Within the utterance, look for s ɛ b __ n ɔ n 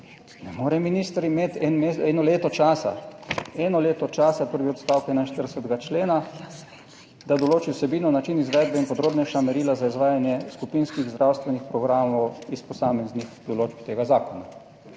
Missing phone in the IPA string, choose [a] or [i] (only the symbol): i